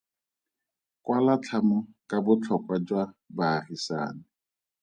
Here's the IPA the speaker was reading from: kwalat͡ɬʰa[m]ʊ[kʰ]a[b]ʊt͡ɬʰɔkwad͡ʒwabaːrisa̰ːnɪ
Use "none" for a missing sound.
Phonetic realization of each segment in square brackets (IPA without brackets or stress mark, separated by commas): m, k, b